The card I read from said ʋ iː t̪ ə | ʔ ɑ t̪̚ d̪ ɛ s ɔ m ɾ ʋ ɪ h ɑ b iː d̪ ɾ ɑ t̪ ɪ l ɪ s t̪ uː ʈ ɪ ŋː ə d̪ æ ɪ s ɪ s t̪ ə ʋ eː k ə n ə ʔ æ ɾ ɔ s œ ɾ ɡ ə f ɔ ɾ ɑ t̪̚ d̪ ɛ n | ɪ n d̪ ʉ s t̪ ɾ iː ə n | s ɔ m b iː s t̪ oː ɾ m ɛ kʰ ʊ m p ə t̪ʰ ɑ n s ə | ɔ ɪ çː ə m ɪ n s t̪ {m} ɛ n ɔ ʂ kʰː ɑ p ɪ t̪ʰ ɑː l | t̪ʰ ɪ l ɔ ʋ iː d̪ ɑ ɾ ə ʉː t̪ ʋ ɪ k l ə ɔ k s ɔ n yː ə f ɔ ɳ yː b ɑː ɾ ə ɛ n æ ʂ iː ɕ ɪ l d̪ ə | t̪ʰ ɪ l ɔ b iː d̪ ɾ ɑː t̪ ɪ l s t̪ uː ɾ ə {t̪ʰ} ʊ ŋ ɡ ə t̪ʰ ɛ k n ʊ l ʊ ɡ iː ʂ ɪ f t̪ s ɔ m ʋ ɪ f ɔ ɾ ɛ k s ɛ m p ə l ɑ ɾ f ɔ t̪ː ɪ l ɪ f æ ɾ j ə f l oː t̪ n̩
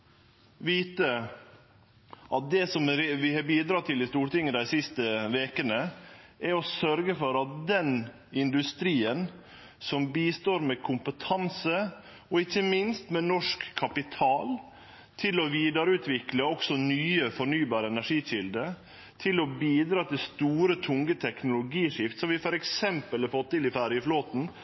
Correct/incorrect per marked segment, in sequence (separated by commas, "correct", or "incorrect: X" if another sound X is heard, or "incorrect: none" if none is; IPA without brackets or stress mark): correct, correct